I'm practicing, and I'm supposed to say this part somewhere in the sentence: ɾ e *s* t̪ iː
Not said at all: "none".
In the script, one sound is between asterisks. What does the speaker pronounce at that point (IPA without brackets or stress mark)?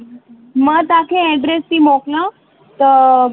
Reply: s